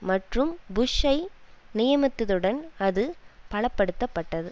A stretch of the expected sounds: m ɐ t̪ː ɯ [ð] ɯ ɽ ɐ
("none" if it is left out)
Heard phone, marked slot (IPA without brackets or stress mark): ð